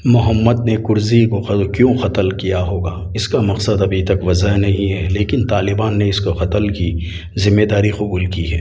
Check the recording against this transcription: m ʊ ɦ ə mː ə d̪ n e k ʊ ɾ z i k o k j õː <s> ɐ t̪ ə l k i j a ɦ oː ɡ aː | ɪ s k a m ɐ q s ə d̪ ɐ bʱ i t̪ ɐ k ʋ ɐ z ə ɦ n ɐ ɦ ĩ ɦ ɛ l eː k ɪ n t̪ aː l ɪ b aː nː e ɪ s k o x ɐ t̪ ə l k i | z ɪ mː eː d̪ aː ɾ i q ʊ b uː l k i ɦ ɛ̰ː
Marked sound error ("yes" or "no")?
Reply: yes